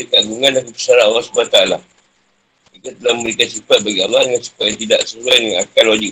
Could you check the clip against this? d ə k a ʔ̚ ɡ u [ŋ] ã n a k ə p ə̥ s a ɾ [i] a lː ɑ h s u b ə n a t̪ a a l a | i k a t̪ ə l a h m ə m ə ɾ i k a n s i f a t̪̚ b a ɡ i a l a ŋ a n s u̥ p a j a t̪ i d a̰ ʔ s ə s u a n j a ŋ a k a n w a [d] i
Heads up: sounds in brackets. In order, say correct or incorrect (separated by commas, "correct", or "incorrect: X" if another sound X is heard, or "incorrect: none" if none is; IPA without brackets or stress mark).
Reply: correct, incorrect: a, incorrect: d͡ʒ